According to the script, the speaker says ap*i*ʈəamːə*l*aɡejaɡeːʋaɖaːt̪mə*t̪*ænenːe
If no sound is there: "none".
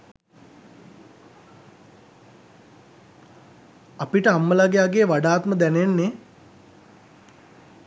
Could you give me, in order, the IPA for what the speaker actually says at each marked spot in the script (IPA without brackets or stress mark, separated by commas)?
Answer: i, l, d̪